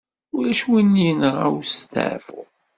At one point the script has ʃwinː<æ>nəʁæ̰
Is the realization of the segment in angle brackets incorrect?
yes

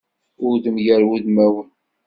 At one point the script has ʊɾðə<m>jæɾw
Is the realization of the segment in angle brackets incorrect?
no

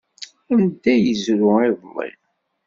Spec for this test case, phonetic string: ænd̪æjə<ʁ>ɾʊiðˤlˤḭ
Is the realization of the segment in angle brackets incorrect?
yes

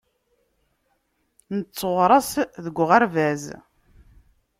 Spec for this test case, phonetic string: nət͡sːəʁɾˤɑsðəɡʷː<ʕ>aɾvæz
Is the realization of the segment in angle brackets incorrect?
yes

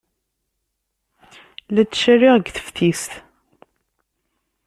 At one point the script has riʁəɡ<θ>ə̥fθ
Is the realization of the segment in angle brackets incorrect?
no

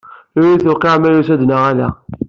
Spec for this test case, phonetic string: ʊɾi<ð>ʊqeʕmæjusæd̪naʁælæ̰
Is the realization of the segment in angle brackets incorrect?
yes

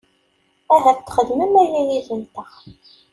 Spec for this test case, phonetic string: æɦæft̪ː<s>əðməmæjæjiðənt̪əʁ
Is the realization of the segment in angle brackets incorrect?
yes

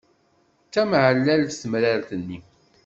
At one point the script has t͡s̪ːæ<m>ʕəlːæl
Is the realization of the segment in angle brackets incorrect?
no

